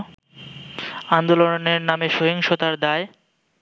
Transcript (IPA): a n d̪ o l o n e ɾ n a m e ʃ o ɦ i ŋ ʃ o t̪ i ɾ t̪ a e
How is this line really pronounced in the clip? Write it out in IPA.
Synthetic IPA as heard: a n d̪ o l o n e ɾ n a m e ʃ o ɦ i ŋ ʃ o t̪ a ɾ d̪ a e